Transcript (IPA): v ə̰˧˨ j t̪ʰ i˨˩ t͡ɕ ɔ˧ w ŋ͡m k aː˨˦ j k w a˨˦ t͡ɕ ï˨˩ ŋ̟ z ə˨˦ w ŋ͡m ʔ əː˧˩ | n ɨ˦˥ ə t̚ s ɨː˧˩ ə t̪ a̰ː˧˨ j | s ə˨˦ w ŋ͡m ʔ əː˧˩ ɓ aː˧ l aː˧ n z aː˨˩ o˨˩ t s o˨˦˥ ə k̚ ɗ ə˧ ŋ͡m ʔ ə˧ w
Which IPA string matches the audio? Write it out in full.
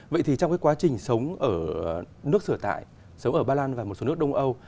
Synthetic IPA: v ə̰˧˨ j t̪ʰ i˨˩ t͡ɕ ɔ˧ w ŋ͡m k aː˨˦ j k w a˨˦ t͡ɕ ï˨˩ ŋ̟ s ə˨˦ w ŋ͡m ʔ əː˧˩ | n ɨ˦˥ ə k̚ s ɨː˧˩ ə t̪ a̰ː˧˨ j | s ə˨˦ w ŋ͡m ʔ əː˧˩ ɓ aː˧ l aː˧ n v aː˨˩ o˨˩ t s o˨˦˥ ə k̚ ɗ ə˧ ŋ͡m ʔ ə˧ w

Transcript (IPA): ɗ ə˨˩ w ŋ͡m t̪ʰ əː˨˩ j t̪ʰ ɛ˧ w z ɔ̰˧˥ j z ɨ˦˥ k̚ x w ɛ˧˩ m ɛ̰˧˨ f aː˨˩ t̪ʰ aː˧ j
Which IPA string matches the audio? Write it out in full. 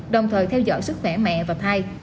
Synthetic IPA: ɗ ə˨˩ w ŋ͡m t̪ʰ əː˨˩ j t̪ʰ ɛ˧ w z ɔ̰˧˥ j s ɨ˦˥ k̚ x w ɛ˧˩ m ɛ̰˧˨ v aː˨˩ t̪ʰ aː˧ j

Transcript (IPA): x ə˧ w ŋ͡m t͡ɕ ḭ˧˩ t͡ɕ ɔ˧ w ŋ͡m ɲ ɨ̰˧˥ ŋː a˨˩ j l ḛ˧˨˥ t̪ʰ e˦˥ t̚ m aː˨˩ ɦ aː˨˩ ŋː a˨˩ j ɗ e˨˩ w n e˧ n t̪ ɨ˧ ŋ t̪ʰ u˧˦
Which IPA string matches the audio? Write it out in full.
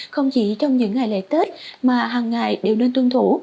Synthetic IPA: x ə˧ w ŋ͡m t͡ɕ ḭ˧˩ t͡ɕ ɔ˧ w ŋ͡m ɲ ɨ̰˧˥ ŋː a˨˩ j l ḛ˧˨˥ t̪ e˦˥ t̚ m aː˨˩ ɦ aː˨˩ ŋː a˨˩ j ɗ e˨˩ w n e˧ n t̪ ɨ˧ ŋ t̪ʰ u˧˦

